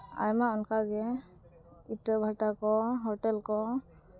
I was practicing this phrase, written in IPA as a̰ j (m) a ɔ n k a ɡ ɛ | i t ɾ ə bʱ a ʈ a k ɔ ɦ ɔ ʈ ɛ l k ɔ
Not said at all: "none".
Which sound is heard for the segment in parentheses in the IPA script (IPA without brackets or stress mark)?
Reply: m